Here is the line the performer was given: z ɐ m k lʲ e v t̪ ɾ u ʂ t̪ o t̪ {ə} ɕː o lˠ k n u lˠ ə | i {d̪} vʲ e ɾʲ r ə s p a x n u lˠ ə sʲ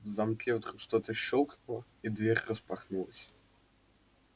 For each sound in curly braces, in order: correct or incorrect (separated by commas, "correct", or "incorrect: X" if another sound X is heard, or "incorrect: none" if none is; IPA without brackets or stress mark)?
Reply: correct, correct